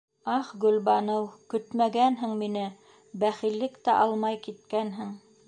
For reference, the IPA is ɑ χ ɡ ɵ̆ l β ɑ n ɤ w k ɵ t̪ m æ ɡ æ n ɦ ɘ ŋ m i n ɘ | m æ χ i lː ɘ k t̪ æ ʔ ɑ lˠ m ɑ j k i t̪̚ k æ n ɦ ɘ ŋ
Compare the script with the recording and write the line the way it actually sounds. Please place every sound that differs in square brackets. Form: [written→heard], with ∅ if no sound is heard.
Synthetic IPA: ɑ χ ɡ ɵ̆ l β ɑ n ɤ w k ɵ t̪ m æ ɡ æ n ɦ ɘ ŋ m i n ɘ | [m→b] æ χ i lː ɘ k t̪ æ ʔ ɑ lˠ m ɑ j k i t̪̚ k æ n ɦ ɘ ŋ